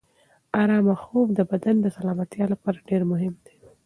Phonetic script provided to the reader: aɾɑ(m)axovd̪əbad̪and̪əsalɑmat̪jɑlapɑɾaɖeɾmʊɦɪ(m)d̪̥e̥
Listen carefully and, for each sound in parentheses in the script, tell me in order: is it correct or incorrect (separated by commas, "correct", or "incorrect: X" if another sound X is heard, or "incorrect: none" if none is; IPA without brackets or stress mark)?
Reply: correct, correct